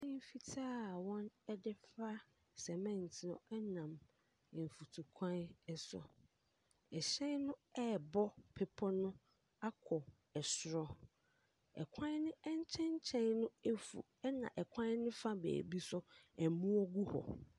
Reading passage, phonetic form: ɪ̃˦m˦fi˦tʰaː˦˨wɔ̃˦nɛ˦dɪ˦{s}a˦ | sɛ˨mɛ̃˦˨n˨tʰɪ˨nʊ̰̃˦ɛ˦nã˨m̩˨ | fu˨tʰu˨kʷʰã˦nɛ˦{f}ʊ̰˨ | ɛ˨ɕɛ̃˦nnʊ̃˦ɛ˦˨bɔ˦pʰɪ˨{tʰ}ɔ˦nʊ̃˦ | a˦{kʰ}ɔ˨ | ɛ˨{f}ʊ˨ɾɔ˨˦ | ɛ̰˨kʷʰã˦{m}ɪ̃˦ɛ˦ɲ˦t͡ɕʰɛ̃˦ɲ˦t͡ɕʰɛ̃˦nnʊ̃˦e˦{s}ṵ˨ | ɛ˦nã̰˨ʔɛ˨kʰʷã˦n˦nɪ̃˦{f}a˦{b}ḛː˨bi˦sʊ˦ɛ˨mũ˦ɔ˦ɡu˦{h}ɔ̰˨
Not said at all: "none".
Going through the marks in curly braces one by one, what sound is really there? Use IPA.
f, s, pʰ, kʰ, s, n, f, f, b, h

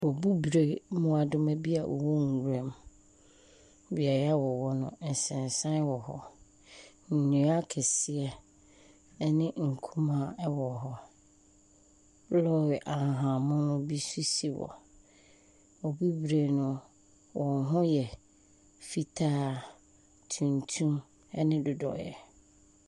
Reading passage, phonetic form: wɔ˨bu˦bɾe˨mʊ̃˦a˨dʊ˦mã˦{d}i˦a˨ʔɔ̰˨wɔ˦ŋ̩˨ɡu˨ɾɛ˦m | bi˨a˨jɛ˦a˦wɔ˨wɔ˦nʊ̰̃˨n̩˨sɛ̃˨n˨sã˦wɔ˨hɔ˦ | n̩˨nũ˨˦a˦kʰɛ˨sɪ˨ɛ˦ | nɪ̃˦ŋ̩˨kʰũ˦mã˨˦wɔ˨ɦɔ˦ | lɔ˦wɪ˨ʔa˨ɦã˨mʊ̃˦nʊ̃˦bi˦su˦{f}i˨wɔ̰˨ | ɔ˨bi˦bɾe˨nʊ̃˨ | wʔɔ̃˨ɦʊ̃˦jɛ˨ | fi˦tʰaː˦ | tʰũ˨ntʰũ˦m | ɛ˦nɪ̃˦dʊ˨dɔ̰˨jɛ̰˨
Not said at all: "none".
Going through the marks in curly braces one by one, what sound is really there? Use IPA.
b, s

